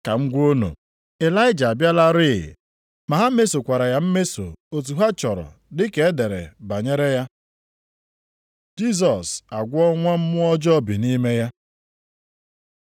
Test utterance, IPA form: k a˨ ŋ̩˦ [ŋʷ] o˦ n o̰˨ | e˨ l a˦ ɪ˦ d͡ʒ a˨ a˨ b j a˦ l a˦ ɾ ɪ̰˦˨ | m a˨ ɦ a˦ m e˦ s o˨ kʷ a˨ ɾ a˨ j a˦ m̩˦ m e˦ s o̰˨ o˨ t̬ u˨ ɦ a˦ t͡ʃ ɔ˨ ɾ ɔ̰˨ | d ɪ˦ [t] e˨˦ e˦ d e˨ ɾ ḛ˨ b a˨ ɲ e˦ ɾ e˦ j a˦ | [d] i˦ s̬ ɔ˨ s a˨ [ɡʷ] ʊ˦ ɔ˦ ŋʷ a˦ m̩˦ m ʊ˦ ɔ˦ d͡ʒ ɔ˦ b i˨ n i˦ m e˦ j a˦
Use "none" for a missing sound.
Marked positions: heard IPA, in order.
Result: ɡʷ, k, d͡ʒ, ɡʷ

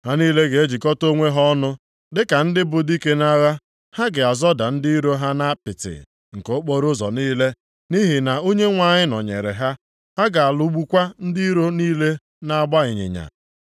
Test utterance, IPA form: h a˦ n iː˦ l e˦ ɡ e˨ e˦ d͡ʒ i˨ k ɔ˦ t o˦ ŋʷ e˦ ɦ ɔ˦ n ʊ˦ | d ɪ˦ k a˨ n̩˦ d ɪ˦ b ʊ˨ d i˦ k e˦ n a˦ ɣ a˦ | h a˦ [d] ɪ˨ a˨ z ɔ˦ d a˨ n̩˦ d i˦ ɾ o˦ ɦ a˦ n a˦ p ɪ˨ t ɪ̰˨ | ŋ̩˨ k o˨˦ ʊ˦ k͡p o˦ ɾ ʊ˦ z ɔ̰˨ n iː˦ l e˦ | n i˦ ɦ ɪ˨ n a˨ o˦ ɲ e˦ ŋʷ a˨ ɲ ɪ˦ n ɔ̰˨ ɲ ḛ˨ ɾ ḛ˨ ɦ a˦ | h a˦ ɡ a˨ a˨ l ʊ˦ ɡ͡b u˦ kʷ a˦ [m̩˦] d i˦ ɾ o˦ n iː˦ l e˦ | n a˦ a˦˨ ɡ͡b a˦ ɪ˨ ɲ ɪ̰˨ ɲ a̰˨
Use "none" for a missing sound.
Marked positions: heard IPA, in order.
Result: ɡ, n̩˦

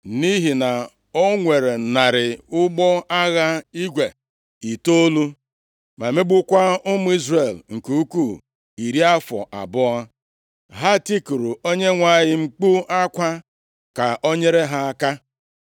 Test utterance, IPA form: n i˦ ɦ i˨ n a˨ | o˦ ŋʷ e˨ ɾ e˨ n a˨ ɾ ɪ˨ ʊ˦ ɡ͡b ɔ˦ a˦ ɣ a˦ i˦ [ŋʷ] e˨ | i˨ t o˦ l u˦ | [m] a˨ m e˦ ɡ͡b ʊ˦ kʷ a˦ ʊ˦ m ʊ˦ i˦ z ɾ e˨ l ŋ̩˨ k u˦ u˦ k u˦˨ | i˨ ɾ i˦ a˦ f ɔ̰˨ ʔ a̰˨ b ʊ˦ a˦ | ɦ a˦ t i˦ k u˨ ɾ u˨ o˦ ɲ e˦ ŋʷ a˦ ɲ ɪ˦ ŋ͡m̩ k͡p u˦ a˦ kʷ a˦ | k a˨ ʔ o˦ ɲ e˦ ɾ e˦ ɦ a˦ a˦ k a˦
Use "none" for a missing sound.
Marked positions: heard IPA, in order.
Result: ɡʷ, m

